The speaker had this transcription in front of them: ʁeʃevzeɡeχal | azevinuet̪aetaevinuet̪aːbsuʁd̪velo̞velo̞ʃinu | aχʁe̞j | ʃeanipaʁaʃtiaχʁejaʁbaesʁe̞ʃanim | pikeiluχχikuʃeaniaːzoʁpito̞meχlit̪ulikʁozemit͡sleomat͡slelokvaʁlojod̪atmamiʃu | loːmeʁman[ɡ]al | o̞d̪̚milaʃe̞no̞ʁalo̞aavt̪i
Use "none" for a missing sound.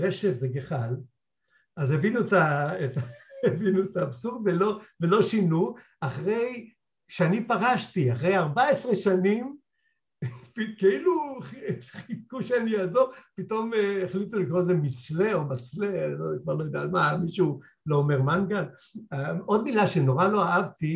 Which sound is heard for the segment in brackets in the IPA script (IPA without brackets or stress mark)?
ɡ